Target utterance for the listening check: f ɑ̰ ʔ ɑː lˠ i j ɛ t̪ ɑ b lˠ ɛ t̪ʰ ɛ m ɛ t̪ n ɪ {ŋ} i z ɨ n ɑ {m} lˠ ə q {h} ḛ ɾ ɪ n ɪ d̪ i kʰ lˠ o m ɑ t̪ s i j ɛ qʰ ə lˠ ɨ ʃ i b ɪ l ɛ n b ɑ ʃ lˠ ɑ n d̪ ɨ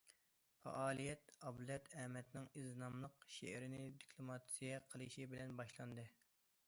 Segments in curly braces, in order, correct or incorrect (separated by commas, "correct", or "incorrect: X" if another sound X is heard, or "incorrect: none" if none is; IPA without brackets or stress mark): correct, correct, incorrect: ʃ